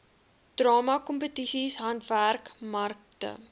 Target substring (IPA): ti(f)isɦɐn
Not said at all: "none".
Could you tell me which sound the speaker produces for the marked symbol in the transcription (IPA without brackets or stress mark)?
s